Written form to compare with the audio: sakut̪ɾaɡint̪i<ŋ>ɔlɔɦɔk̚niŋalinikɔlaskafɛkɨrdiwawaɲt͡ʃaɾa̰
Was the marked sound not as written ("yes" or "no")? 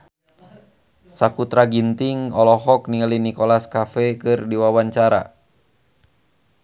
no